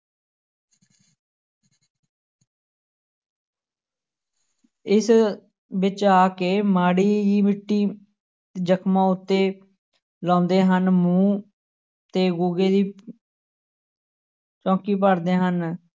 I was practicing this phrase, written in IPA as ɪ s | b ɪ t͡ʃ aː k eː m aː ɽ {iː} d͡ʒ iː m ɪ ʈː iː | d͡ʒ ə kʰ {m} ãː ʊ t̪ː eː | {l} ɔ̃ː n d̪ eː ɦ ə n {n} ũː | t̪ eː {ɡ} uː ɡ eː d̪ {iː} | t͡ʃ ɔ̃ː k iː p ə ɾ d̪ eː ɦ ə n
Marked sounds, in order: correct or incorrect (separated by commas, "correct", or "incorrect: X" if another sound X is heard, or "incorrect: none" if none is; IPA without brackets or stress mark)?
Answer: correct, correct, correct, incorrect: m, correct, correct